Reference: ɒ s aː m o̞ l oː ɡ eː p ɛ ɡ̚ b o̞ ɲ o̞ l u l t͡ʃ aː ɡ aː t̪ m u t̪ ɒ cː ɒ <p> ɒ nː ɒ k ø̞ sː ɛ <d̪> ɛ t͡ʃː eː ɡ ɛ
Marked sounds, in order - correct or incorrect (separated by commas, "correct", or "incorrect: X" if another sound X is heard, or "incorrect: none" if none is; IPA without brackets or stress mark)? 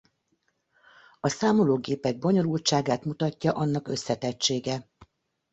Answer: incorrect: ʔ, incorrect: t̪